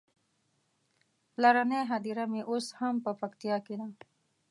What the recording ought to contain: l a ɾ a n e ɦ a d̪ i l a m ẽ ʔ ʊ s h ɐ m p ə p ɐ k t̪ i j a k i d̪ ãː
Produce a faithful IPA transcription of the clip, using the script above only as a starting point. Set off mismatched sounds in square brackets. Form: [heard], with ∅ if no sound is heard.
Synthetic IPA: l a ɾ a n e ɦ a d̪ i [ɾ] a m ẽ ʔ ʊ s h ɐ m p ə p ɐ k t̪ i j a k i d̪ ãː

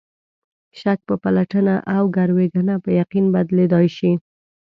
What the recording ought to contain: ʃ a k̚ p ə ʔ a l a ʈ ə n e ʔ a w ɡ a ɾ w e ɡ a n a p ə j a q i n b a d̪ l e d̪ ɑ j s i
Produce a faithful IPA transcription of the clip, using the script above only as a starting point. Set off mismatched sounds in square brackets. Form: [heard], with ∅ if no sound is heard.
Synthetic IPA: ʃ a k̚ p ə [p] a l a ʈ ə n [a] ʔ a w ɡ a ɾ w e ɡ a n a p ə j a q i n b a d̪ l e d̪ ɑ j [ʃ] i

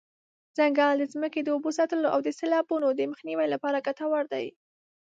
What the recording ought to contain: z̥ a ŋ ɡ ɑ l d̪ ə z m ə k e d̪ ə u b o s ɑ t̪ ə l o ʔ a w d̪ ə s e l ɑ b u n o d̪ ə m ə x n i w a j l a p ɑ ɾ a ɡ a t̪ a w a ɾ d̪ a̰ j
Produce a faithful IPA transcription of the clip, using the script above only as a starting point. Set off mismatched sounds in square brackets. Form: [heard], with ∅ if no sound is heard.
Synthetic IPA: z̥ a ŋ ɡ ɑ l d̪ ə z m ə k e d̪ ə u b o s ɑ t̪ ə l o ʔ a w d̪ ə s e l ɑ b u n o d̪ ə m ə x n i w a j l a p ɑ ɾ a ɡ a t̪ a w a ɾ d̪ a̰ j

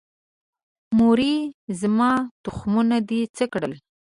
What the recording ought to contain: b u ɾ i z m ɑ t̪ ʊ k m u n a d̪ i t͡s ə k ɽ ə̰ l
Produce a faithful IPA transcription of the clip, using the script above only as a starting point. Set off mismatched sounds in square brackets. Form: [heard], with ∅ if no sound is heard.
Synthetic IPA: [m] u ɾ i z m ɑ t̪ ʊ [x] m u n a d̪ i t͡s ə k ɽ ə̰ l

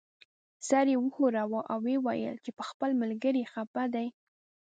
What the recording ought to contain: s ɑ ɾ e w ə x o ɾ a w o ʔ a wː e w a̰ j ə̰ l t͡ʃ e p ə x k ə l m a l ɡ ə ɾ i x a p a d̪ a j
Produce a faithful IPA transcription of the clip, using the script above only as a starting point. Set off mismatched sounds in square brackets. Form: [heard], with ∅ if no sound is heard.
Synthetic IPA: s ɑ ɾ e w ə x o ɾ a w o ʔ a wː e w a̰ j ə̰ l t͡ʃ e p ə x [p] ə l m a l ɡ ə ɾ i x a p a d̪ a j

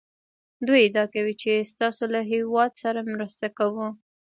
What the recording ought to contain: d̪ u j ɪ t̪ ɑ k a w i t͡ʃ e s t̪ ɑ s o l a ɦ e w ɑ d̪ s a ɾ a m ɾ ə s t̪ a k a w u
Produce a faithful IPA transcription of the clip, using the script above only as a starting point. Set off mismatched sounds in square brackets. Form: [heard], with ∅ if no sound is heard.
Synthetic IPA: d̪ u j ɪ [d̪] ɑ k a w i t͡ʃ e s t̪ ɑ s o l a ɦ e w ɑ d̪ s a ɾ a m ɾ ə s t̪ a k a w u

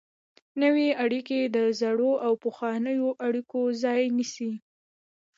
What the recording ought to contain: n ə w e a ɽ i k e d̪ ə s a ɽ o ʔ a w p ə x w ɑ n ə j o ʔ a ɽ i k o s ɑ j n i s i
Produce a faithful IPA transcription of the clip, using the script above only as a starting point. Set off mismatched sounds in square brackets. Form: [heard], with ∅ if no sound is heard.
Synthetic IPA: n ə w e a ɽ i k e d̪ ə [z] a ɽ o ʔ a w p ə x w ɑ n ə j o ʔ a ɽ i k o [z] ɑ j n i s i

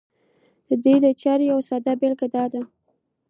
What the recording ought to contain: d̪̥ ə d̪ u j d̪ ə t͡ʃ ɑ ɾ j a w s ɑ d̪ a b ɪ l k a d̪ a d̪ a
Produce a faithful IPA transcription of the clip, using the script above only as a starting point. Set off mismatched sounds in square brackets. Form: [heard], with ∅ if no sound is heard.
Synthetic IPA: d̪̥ ə d̪ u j d̪ ə t͡ʃ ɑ ɾ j a w s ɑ d̪ a b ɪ l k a d̪ [ɑ] d̪ a

